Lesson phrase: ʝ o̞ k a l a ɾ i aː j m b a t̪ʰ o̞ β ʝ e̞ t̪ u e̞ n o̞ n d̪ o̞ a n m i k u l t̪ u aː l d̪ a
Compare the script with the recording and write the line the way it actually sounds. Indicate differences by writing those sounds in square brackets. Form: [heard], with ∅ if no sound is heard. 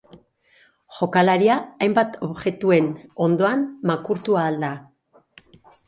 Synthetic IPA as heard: ʝ o̞ k a l a ɾ i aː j m b a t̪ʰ o̞ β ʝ e̞ t̪ u e̞ n o̞ n d̪ o̞ a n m [a] k u [ɾ] t̪ u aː l d̪ a